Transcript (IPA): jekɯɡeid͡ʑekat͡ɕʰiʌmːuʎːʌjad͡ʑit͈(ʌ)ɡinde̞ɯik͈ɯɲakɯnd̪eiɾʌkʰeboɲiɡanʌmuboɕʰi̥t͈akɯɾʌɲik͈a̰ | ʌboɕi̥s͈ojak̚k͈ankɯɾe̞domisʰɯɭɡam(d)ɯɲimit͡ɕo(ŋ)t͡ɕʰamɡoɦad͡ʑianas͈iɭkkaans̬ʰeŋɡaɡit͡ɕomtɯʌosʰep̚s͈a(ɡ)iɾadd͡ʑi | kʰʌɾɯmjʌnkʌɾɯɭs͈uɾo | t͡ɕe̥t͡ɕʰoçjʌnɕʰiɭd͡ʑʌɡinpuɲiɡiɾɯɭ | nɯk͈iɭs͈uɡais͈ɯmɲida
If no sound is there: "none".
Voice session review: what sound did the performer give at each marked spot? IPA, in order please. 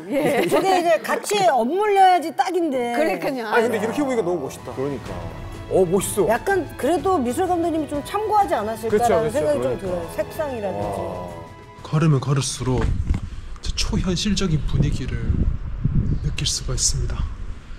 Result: a, d, m, ŋ

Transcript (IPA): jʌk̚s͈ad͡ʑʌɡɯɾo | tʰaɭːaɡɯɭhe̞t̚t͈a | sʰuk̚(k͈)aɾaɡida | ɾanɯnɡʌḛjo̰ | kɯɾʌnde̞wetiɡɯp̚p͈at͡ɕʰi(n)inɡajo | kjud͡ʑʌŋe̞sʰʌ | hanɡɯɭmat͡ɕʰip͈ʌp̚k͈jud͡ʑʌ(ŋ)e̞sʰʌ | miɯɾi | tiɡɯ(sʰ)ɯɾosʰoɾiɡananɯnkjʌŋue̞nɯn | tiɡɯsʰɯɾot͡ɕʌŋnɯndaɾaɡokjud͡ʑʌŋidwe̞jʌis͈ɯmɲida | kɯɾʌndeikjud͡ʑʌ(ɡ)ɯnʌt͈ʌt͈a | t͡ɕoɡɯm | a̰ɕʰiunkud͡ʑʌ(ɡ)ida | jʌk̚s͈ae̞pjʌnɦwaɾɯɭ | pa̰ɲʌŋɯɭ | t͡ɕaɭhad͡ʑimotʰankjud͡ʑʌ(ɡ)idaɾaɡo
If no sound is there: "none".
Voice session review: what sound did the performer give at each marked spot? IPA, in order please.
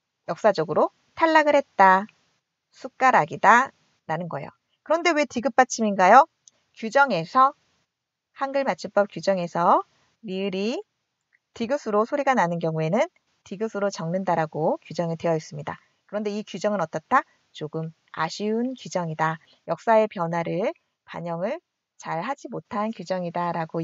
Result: k͈, m, ŋ, sʰ, ŋ, ŋ, ŋ

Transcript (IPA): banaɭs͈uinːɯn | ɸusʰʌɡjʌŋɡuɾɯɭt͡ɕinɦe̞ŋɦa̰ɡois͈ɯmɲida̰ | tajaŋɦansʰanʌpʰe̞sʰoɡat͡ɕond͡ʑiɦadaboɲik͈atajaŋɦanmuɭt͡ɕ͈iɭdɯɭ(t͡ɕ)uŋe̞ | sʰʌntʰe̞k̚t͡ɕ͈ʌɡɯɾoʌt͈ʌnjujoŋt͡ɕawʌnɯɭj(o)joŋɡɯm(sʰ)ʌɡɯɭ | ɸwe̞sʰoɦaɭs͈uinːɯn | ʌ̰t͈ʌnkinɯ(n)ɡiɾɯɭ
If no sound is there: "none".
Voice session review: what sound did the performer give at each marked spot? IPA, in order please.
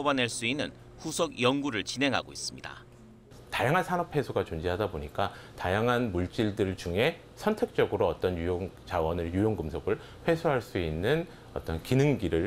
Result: t͡ɕ, u, sʰ, ŋ

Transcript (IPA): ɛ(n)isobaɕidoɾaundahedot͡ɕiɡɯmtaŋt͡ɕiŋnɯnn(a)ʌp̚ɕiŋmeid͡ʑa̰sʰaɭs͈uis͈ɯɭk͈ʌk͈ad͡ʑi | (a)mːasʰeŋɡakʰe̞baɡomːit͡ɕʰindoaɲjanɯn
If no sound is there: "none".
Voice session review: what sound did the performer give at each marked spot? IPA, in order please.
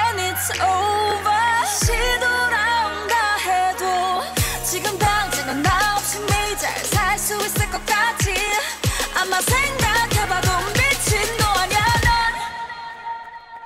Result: n, a, a

